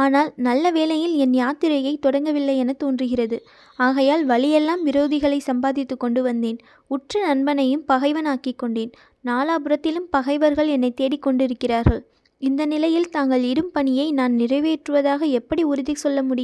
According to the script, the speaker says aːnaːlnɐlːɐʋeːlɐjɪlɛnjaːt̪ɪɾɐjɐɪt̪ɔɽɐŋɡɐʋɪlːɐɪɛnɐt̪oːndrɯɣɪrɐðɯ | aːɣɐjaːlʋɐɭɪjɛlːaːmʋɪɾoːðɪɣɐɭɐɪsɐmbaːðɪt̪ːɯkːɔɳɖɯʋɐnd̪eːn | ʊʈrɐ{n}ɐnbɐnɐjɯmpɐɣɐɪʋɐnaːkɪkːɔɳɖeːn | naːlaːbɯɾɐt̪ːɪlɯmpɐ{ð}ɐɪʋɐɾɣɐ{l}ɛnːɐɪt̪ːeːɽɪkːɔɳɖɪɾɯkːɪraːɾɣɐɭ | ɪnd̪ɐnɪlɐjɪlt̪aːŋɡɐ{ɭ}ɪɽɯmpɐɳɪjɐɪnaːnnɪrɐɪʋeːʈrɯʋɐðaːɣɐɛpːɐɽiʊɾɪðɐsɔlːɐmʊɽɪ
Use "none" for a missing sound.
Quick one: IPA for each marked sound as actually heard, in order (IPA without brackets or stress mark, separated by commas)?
n, ɣ, ɭ, ɭ